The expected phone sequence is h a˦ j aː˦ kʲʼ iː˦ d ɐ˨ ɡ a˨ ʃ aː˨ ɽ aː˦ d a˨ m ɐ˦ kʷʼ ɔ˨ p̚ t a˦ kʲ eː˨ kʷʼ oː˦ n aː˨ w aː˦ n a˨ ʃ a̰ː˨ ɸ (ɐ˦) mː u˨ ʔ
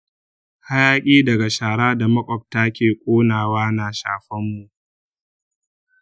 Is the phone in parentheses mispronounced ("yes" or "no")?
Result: no